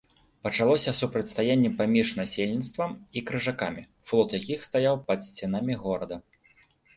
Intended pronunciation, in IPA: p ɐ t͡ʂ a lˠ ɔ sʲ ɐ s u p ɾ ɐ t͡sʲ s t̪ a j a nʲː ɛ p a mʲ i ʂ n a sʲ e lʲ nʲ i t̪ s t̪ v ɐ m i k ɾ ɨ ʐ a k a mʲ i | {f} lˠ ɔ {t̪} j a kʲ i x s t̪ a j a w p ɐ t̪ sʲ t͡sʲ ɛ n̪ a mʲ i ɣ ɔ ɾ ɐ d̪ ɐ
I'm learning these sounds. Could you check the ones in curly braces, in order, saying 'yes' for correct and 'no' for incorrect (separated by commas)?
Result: yes, yes